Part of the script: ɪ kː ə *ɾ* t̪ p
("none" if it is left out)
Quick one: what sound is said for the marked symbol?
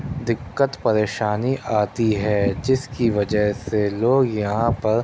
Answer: none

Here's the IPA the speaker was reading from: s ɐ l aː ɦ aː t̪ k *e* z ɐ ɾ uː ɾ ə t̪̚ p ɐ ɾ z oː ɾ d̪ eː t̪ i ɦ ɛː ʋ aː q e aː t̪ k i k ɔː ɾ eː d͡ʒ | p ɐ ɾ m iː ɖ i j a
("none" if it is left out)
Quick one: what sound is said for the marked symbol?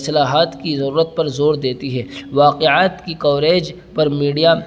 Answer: i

